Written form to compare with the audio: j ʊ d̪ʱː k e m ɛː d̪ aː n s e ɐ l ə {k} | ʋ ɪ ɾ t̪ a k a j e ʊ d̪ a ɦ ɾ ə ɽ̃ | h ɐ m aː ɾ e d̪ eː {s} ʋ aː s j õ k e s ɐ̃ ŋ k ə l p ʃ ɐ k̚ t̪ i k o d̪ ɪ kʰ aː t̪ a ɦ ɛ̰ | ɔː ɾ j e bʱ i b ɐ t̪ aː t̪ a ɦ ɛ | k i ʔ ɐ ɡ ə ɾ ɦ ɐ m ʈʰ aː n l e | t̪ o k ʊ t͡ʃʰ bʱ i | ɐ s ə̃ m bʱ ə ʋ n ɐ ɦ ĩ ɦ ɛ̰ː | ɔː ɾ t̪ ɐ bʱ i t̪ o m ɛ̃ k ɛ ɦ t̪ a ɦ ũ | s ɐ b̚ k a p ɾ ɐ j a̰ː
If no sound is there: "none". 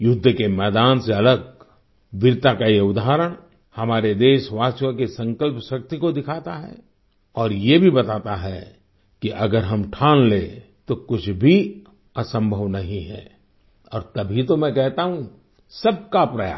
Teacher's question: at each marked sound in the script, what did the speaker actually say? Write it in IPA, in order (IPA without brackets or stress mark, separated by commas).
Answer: ɡ, ʃ